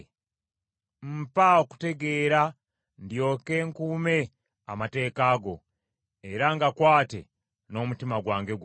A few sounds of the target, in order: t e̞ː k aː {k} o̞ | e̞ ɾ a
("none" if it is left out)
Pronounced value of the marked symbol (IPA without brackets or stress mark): ɡ